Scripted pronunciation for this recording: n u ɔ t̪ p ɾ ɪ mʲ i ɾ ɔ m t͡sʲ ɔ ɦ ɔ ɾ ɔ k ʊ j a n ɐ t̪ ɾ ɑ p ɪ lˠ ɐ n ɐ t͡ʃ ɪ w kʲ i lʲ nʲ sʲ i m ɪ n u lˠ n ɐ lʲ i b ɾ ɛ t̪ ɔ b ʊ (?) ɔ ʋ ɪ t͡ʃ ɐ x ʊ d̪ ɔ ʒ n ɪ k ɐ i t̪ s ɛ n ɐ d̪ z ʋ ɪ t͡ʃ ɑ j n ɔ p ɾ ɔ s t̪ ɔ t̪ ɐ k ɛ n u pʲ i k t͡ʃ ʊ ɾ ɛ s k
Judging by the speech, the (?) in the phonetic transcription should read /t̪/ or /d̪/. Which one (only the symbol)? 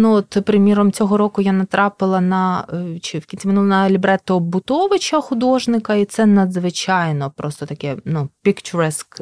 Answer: t̪